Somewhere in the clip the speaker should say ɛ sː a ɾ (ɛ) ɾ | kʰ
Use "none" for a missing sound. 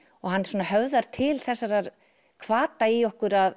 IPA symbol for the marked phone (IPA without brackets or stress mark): a